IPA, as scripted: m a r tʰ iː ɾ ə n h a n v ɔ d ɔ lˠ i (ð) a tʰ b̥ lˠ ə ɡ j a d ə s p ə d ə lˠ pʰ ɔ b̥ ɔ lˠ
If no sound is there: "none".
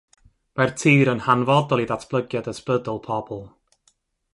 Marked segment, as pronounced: ð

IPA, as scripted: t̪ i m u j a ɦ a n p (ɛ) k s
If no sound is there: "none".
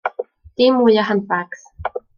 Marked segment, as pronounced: a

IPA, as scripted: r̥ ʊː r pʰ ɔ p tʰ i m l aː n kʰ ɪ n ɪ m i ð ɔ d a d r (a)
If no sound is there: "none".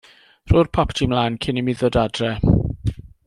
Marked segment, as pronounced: ɛ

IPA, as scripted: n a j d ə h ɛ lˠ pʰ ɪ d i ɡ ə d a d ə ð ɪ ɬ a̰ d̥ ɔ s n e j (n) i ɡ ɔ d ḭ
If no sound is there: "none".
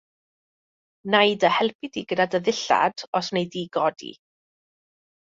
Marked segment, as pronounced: d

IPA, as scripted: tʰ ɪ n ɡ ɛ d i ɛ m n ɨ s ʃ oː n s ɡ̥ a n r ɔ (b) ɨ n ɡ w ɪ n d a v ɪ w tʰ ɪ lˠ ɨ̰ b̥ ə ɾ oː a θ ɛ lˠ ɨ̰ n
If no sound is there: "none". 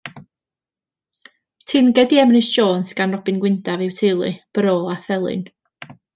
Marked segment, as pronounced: b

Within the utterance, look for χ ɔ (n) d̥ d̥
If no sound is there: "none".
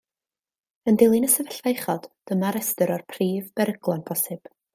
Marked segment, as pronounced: none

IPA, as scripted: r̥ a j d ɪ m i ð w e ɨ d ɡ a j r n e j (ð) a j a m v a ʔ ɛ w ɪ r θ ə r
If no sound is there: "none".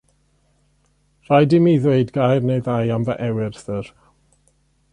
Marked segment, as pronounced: ð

